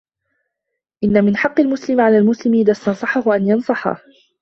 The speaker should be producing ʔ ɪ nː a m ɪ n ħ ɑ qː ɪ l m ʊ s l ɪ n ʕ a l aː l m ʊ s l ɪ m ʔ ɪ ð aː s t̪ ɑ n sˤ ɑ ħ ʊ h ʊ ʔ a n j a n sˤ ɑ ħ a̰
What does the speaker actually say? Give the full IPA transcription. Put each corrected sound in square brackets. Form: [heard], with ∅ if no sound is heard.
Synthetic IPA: ʔ ɪ nː a m ɪ n ħ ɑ qː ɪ l m ʊ s l ɪ [m] ʕ a l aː l m ʊ s l ɪ m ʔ ɪ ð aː s t̪ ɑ n sˤ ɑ ħ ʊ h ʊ ʔ a n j [ɑ] n sˤ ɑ ħ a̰

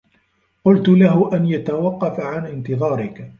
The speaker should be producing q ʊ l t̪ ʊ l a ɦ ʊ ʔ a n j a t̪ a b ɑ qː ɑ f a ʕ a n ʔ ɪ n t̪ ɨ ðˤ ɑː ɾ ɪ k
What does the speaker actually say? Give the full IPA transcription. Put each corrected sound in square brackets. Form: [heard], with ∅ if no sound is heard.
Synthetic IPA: q ʊ l t̪ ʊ l a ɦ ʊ ʔ a n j a t̪ a [w] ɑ qː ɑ f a ʕ a n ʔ ɪ n t̪ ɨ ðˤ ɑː ɾ ɪ k

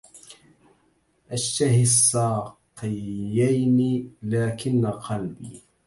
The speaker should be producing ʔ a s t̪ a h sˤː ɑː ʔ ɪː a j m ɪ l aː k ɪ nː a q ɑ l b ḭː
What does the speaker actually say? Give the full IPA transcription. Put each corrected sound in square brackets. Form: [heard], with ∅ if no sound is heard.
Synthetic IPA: ʔ a [ʃ] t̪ a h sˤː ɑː [q] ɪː a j [n] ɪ l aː k ɪ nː a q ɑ l b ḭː

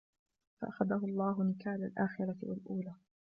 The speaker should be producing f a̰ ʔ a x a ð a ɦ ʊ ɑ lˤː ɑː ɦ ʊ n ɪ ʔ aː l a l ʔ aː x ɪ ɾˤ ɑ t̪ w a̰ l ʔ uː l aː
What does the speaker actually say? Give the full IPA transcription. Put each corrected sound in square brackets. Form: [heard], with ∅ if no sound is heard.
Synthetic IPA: f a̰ ʔ a x a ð a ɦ ʊ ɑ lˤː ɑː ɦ ʊ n ɪ [k] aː l a l ʔ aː x ɪ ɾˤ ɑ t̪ w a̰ l ʔ uː l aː

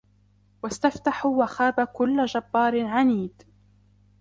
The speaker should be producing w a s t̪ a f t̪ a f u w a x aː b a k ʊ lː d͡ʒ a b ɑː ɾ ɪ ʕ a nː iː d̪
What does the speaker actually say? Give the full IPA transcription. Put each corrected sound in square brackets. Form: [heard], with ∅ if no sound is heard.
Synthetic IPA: w a s t̪ a f t̪ a [ħ] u w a x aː b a k ʊ lː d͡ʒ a [bː] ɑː ɾ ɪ ʕ a [n] iː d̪

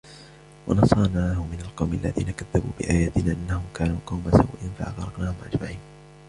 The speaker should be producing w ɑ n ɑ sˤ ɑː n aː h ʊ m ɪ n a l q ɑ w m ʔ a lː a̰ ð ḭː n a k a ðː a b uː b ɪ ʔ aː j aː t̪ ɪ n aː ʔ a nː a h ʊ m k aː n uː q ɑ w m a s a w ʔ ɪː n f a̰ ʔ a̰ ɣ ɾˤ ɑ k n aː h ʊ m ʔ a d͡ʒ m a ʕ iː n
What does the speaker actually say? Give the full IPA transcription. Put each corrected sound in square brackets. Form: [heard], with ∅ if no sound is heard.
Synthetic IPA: w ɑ n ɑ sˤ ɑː n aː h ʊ m ɪ n a l q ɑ w m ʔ a lː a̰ ð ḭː n a k a ðː a b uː b ɪ ʔ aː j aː t̪ ɪ n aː ʔ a nː a h ʊ m k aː n uː q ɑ w m a s a w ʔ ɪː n f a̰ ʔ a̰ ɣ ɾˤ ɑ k n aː h ʊ m ʔ a d͡ʒ m a ʕ iː n

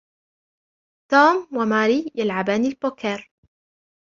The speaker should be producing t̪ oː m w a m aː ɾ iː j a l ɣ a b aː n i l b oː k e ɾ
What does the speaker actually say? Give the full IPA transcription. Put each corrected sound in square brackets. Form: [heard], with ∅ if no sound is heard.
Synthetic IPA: t̪ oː m w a m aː ɾ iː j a l [ʕ] a b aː n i l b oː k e ɾ

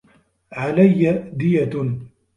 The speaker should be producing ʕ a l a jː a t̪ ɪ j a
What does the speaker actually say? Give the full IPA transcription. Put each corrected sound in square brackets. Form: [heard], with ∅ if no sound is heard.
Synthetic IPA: ʕ a l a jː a [d̪] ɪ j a

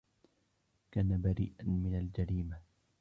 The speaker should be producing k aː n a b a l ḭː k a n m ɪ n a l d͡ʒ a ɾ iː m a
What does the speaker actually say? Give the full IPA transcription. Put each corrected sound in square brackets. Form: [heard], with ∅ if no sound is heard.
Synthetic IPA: k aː n a b a [ɾ] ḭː [ʔ] a n m ɪ n a l d͡ʒ a ɾ iː m a

